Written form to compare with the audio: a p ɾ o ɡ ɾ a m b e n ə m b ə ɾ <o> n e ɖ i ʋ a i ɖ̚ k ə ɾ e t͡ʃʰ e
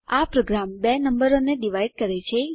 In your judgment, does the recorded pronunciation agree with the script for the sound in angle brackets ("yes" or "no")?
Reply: yes